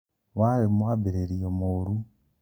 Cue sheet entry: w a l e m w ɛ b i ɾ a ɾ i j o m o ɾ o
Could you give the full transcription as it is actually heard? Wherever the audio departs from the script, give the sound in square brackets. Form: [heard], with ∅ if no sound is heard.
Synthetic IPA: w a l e m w [a] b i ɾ [e] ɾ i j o m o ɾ [u]